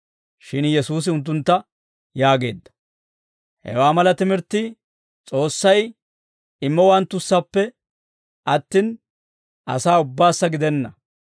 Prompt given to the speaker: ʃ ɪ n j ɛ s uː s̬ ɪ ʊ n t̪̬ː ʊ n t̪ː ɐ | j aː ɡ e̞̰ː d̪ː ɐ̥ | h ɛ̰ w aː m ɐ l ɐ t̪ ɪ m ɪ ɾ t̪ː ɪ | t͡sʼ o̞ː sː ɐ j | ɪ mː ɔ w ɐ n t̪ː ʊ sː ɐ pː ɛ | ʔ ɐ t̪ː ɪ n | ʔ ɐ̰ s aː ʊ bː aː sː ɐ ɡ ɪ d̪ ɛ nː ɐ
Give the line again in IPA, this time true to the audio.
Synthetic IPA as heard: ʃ ɪ n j ɛ s uː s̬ ɪ ʊ n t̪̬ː ʊ n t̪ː ɐ | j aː ɡ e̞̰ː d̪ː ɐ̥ | h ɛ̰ w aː m ɐ l ɐ t̪ ɪ m ɪ ɾ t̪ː ɪ | t͡sʼ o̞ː sː ɐ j | ɪ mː ɔ w ɐ n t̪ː ʊ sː ɐ pː ɛ | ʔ ɐ t̪ː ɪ n | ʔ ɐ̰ s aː ʊ bː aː sː ɐ ɡ ɪ d̪ ɛ nː ɐ